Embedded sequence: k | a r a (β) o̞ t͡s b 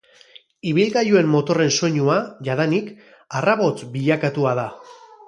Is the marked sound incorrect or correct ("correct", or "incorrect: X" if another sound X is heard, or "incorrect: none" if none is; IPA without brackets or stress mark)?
correct